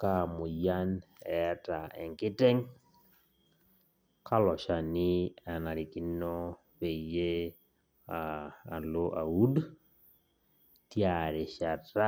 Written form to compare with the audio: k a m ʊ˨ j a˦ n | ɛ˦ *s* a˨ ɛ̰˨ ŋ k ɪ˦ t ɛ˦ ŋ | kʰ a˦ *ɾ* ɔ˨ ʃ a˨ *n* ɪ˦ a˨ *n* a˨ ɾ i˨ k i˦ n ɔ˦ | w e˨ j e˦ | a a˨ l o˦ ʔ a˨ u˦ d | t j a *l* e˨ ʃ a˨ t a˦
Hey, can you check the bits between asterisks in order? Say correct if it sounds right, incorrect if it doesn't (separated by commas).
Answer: incorrect, incorrect, correct, correct, incorrect